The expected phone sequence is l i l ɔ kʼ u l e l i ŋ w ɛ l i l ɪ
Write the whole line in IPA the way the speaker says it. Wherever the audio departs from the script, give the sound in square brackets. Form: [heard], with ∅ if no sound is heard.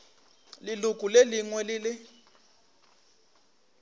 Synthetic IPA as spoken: l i l [u] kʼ u l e l i ŋ w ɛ l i l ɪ